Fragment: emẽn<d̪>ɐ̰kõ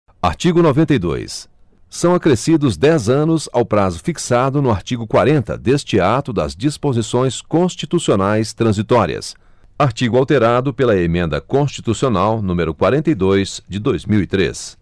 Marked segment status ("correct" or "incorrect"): correct